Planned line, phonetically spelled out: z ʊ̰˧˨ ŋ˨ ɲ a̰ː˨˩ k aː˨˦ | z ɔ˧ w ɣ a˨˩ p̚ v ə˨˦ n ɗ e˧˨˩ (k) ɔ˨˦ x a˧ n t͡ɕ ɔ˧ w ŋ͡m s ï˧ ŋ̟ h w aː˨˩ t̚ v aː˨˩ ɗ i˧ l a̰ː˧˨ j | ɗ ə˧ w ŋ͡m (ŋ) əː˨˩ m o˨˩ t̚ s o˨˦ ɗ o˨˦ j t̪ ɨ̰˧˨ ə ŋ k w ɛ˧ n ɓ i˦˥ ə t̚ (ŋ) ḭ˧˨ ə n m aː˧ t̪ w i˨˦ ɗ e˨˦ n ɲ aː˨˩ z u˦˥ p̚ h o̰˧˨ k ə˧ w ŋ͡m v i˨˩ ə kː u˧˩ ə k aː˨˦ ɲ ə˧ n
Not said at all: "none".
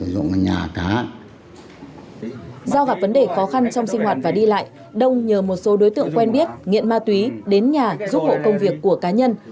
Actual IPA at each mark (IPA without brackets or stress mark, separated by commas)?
x, ɲ, ŋ